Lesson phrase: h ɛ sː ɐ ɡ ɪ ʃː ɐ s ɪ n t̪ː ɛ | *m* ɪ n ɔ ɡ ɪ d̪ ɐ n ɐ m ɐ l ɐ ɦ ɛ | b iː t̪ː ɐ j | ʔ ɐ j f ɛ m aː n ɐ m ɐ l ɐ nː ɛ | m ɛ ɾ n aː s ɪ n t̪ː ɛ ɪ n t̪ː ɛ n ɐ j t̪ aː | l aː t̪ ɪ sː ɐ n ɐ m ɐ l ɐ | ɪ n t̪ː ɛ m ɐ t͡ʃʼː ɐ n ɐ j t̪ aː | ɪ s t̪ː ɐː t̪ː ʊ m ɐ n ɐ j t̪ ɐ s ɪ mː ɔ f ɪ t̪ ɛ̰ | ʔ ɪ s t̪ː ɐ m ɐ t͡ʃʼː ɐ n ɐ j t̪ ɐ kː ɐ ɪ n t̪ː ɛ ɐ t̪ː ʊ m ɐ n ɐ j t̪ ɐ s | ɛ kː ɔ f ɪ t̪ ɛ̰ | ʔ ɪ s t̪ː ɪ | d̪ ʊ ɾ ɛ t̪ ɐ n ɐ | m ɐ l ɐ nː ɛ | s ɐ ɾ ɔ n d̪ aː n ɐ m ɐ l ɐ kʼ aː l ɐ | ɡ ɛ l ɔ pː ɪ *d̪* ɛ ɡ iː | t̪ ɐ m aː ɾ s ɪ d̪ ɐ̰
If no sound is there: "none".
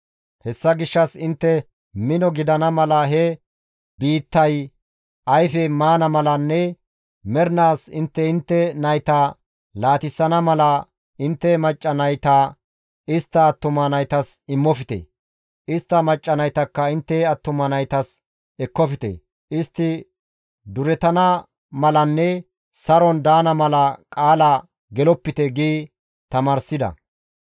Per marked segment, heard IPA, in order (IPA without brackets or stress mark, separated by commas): m, t̪